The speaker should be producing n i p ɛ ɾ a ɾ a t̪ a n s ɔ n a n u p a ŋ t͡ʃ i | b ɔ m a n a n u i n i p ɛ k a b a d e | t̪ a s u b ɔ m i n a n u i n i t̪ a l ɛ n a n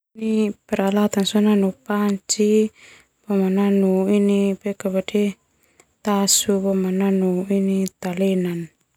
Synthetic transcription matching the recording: n i p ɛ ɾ a l a t̪ a n s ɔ n a n u p a ɲ t͡ʃ i | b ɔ m a n a n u i n i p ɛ k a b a d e | t̪ a s u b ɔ m a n a n u i n i t̪ a l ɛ n a n